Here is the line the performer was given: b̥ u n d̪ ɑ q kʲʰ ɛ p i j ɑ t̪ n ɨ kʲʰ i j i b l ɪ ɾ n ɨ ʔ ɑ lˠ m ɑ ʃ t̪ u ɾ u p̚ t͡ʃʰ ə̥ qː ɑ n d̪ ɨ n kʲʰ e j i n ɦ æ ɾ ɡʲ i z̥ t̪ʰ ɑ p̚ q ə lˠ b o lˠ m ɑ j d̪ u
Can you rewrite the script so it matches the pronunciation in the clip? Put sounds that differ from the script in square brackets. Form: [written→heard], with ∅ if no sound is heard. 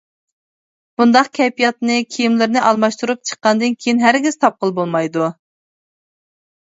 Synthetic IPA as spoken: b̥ u n d̪ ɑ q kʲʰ ɛ p i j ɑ t̪ n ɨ kʲʰ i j i [b→m] l ɪ ɾ n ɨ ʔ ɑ lˠ m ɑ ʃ t̪ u ɾ u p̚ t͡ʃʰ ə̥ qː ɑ n d̪ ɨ n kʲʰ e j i n ɦ æ ɾ ɡʲ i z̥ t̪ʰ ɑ p̚ q ə lˠ b o lˠ m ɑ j d̪ u